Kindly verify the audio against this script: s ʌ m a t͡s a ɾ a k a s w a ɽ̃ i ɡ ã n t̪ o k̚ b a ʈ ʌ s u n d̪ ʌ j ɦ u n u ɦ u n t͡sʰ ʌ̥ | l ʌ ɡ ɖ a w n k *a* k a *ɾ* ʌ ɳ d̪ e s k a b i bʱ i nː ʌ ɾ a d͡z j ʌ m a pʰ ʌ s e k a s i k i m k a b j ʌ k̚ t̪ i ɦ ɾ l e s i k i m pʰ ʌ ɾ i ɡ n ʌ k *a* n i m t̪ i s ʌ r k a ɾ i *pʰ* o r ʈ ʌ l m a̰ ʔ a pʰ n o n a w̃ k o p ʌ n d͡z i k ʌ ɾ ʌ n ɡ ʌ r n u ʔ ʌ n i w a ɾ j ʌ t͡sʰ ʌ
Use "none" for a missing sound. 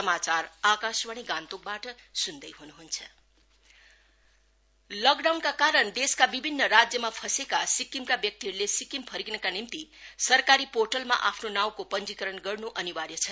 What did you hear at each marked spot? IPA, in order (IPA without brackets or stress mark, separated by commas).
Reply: a, ɾ, a, p